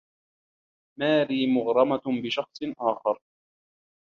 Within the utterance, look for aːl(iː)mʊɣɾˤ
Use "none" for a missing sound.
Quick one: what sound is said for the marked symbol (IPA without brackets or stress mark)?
iː